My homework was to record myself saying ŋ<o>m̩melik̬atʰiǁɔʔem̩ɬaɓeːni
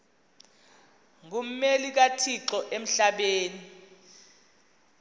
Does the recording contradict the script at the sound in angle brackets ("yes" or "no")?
yes